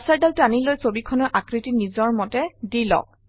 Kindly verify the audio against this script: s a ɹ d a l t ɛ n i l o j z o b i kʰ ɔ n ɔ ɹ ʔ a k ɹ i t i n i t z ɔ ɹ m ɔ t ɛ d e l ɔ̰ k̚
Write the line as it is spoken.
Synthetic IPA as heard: s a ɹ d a l t a n i l o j s o b i kʰ ɔ n ɔ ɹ ʔ a k ɹ i t i n i z ɔ ɹ m ɔ t ɛ d i l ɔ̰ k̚